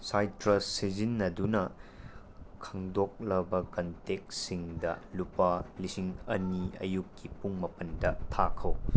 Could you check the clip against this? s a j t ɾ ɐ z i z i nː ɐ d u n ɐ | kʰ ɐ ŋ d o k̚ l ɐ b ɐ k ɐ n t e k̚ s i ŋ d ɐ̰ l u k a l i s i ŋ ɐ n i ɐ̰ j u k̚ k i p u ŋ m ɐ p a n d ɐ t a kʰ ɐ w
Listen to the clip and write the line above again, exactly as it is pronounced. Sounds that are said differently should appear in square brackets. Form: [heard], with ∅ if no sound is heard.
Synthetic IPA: s a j t ɾ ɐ [s] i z i nː ɐ d u n ɐ | kʰ ɐ ŋ d o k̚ l ɐ b ɐ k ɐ n t e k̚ s i ŋ d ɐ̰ l u [p] a l i s i ŋ ɐ n i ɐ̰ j u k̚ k i p u ŋ m ɐ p [ɐ] n d ɐ [tʰ] a kʰ ɐ w